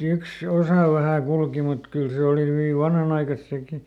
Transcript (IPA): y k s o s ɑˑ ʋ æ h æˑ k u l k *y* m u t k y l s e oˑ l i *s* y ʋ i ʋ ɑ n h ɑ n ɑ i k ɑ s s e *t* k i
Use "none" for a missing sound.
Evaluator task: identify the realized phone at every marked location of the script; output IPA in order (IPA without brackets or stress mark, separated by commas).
i, h, none